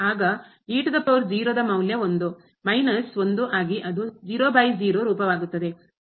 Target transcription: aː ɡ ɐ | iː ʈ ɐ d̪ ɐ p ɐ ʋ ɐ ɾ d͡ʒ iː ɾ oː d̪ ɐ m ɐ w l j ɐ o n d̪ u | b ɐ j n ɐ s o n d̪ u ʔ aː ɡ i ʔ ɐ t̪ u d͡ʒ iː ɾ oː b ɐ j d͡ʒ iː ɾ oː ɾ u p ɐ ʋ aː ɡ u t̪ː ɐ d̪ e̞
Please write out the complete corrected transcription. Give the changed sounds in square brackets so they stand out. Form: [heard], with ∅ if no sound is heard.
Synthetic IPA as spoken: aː ɡ ɐ | iː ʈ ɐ d̪ ɐ p ɐ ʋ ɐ ɾ d͡ʒ iː ɾ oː d̪ ɐ m ɐ w l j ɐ o n d̪ u | [m] ɐ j n ɐ s o n d̪ u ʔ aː ɡ i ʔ ɐ [d̪] u d͡ʒ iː ɾ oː b ɐ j d͡ʒ iː ɾ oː ɾ [uː] p ɐ ʋ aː ɡ u t̪ː ɐ d̪ e̞